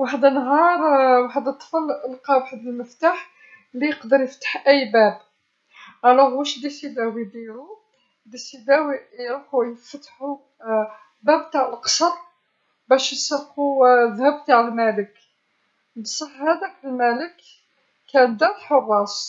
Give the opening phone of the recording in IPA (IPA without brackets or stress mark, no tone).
w